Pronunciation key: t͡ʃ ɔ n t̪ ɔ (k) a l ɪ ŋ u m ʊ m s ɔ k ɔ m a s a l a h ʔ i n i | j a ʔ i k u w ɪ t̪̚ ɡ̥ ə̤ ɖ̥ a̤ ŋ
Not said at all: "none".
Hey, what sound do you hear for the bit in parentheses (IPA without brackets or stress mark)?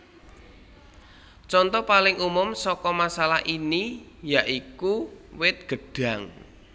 p